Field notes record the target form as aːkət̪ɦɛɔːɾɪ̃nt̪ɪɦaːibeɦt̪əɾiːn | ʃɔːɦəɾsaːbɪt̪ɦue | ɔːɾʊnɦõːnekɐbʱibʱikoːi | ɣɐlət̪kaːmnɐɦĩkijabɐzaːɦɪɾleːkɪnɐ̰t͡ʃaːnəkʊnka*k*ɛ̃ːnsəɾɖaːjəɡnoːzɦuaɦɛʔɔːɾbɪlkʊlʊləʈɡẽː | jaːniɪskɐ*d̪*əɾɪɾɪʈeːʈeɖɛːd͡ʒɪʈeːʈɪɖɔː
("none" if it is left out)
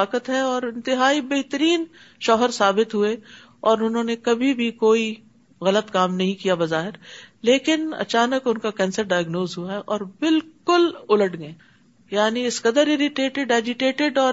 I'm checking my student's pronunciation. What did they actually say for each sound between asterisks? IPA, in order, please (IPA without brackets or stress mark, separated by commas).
k, d̪